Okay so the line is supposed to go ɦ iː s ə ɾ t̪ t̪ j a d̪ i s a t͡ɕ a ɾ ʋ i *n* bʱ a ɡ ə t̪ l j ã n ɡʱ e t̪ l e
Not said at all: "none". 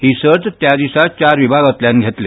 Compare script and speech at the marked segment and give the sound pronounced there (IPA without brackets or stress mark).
none